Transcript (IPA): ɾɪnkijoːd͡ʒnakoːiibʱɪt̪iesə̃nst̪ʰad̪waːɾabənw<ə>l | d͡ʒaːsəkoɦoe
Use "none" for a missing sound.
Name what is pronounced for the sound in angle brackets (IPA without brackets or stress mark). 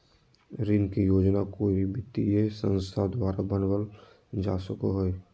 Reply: ə